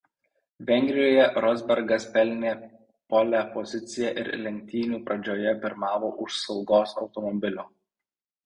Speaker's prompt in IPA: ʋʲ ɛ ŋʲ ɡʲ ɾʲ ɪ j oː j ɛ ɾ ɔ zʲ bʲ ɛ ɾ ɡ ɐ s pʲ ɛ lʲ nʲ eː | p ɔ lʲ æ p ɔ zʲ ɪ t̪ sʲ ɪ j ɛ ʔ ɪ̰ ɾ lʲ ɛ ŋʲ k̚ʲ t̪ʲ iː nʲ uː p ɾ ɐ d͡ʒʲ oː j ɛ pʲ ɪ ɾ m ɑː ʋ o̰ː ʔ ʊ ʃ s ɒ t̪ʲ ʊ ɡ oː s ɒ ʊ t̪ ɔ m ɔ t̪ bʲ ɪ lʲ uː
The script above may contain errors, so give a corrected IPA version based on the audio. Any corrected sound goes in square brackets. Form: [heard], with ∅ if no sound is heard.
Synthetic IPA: ʋʲ ɛ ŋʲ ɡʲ ɾʲ ɪ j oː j ɛ ɾ ɔ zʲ bʲ ɛ ɾ ɡ ɐ s pʲ ɛ lʲ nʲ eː | p ɔ lʲ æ p ɔ zʲ ɪ t̪ sʲ ɪ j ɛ ʔ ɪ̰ ɾ lʲ ɛ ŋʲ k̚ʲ t̪ʲ iː nʲ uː p ɾ ɐ d͡ʒʲ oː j ɛ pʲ ɪ ɾ m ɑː ʋ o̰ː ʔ ʊ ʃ s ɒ [∅] ʊ ɡ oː s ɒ ʊ t̪ ɔ m ɔ [∅] bʲ ɪ lʲ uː